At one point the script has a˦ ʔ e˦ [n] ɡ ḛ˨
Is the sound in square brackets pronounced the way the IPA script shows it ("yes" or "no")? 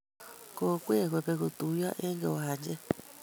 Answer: no